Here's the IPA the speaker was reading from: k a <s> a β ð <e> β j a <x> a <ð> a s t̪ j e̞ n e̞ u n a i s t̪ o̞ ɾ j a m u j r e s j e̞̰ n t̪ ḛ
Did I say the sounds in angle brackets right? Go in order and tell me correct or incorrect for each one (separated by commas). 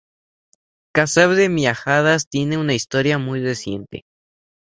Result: correct, correct, correct, correct